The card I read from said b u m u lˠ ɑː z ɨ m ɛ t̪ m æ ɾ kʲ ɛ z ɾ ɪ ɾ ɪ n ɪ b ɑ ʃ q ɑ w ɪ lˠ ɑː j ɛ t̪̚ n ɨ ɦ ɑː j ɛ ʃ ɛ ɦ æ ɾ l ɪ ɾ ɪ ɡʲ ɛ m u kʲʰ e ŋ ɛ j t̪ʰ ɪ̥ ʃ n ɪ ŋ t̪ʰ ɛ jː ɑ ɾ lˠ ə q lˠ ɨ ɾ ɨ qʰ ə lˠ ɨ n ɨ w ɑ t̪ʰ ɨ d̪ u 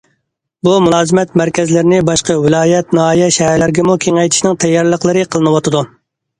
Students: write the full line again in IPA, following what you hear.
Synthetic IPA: b u m u lˠ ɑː z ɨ m ɛ t̪ m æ ɾ kʲ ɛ z l ɪ ɾ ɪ n ɪ b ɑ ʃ q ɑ w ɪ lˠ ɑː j ɛ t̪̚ n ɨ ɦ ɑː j ɛ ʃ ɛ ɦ æ ɾ l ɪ ɾ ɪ ɡʲ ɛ m u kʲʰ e ŋ ɛ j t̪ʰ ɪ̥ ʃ n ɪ ŋ t̪ʰ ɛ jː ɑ ɾ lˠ ə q lˠ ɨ ɾ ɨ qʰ ə lˠ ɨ n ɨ w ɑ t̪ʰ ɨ d̪ u